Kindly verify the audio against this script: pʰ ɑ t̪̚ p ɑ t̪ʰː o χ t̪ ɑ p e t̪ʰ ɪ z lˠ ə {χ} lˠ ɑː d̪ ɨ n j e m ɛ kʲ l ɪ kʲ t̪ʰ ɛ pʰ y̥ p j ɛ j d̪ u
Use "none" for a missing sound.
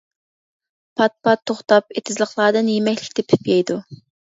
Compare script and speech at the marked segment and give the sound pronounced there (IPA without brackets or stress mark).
χ